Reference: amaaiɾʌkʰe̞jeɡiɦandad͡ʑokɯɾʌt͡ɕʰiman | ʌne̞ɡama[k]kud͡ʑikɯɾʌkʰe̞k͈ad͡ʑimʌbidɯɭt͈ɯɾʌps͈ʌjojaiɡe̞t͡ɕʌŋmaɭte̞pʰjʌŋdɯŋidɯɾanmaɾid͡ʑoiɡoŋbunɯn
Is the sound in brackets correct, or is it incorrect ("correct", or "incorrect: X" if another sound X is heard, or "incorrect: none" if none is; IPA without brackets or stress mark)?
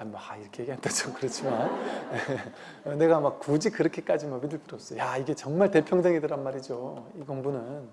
correct